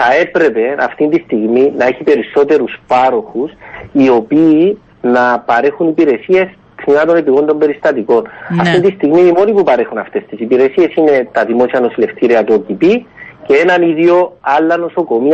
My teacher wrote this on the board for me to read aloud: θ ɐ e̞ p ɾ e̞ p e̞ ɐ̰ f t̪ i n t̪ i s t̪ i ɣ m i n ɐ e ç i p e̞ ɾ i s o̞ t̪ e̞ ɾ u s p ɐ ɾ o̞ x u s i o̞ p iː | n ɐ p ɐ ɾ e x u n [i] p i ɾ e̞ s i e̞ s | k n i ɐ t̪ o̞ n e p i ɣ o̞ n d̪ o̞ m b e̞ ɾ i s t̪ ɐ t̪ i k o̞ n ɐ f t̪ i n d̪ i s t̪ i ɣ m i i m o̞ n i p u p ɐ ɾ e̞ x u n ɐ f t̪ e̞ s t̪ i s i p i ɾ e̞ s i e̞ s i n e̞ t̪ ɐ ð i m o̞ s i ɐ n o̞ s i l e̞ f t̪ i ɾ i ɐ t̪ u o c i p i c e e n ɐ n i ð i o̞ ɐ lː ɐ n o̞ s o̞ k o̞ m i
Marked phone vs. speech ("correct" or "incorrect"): correct